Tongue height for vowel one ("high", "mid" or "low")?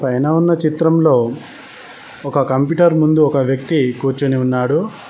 low